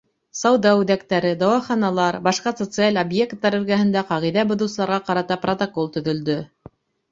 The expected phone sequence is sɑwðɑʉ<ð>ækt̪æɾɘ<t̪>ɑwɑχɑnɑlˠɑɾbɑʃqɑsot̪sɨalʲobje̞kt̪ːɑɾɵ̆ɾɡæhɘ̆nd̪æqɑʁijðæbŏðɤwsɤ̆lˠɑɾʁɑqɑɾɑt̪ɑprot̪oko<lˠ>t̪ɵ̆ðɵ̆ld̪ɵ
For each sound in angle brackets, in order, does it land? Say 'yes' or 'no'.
yes, no, yes

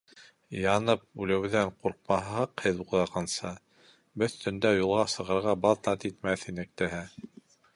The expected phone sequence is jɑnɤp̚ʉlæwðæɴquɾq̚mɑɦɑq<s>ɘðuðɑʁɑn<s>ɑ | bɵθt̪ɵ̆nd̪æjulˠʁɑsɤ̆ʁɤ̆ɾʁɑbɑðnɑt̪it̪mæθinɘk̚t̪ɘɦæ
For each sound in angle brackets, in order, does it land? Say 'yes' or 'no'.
no, yes

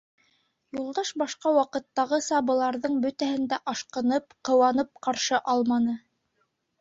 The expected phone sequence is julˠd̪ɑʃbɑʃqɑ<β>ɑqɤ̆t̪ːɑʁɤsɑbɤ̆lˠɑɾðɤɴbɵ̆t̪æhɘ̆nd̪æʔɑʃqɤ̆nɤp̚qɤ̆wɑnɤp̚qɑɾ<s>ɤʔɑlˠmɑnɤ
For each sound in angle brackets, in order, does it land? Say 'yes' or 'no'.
no, no

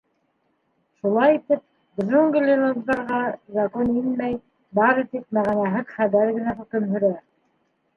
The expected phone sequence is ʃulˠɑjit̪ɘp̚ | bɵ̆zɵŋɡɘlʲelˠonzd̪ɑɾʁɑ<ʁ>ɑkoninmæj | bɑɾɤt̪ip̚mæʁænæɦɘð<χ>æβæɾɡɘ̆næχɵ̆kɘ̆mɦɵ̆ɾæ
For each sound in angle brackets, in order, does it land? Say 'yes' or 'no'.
no, yes

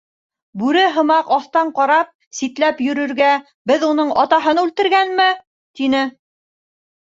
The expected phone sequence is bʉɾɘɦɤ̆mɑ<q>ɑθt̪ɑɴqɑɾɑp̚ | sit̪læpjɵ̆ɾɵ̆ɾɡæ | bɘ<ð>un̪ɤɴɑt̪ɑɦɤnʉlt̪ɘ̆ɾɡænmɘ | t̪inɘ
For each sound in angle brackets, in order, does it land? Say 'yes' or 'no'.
yes, yes

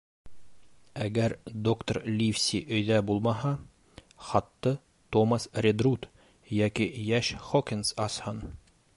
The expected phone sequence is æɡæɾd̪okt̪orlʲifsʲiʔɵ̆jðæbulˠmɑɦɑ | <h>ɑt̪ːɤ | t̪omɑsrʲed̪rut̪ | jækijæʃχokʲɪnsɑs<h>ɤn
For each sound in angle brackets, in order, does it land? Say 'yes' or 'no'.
no, yes

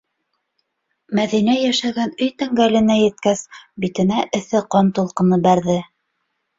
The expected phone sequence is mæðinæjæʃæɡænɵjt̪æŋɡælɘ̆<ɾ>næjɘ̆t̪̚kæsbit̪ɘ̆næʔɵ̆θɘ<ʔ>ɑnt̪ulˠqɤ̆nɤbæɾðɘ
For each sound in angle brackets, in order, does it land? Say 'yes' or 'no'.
no, no

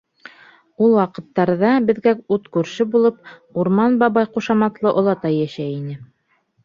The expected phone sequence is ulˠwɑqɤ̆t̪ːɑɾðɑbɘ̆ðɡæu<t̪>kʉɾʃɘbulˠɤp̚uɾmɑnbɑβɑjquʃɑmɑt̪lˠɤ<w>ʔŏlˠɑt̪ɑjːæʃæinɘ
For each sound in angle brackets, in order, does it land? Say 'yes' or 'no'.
yes, no

